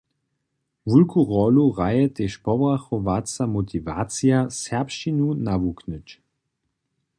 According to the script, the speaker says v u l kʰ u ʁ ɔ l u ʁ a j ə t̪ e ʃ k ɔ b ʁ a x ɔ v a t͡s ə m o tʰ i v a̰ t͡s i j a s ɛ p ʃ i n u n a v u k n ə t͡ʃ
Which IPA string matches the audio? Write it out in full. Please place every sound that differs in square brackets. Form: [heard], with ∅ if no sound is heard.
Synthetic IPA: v u l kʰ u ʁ ɔ l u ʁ a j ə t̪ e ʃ [p] ɔ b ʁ a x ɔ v a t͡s [a] m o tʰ i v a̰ t͡s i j a s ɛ p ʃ i n u n a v u k n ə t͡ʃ